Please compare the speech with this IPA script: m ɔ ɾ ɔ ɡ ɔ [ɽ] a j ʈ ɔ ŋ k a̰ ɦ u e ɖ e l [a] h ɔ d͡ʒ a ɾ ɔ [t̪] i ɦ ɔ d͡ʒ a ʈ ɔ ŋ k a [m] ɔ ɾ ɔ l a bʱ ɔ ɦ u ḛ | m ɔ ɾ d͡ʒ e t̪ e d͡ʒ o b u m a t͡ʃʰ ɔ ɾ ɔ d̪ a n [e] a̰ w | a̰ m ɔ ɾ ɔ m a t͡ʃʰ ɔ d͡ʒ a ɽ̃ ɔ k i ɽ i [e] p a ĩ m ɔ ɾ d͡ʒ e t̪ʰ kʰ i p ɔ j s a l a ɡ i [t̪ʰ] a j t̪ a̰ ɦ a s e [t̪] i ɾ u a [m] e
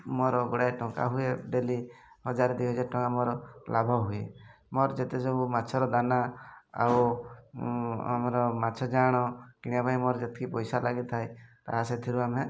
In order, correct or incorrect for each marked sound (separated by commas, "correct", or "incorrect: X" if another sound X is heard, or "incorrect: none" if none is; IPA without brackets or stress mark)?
correct, incorrect: i, incorrect: d̪, correct, incorrect: a, incorrect: a, correct, incorrect: t̪ʰ, correct